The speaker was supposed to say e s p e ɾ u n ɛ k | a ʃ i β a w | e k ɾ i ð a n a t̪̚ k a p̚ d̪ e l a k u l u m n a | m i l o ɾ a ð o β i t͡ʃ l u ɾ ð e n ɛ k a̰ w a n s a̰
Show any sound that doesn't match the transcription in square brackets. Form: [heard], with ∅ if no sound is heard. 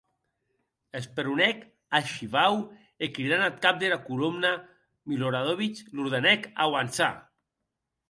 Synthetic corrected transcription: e s p e ɾ u n ɛ k | a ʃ i β a w | e k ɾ i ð a n a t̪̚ k a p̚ d̪ e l a k u l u m n a | m i l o ɾ a ð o β i t͡ʃ l u ɾ ð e n ɛ k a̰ w a n s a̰